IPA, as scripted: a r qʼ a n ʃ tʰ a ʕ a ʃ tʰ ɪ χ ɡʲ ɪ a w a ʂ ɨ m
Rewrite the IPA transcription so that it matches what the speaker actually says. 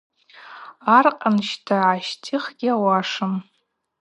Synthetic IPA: a r qʼ a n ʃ tʰ a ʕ a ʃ tʰ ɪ χ ɡʲ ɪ a w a ʂ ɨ m